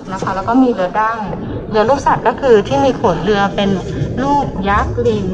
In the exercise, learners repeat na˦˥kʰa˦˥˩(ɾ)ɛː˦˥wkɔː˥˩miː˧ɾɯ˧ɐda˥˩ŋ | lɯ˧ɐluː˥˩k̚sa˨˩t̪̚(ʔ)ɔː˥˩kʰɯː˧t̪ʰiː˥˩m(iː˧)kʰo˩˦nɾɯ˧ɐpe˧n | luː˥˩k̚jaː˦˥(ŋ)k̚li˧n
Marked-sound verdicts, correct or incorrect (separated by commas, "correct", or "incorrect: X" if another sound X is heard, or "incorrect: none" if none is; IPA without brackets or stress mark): incorrect: l, incorrect: k, correct, incorrect: none